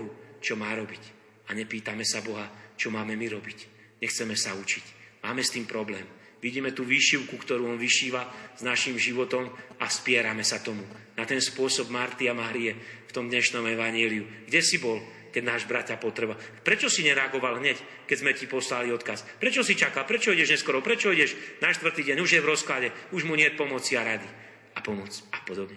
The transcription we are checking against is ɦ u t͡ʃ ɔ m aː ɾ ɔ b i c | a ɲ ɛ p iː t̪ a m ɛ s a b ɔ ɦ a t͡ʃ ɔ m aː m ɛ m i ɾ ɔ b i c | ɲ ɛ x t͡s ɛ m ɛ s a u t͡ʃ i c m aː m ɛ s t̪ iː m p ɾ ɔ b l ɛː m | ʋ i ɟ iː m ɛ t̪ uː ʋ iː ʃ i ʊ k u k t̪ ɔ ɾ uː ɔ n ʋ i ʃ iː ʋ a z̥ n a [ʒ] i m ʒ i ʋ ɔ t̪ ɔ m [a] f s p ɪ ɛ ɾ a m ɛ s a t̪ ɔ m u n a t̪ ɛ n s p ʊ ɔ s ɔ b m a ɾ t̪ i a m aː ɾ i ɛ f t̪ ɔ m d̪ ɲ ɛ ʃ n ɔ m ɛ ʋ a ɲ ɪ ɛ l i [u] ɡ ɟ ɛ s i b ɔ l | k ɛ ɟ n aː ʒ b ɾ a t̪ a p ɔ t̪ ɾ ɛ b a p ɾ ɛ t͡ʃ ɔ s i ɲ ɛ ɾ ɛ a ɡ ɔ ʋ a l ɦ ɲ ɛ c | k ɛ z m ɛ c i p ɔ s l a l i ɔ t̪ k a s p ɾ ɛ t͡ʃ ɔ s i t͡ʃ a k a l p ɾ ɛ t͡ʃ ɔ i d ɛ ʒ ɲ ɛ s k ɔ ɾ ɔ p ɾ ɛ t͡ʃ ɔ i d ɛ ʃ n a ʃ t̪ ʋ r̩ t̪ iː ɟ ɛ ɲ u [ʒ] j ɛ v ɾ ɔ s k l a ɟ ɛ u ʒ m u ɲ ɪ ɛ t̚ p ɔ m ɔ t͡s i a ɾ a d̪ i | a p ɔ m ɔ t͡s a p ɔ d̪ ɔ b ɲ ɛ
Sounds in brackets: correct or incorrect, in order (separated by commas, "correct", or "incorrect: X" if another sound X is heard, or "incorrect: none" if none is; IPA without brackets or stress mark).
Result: incorrect: ʃ, correct, correct, correct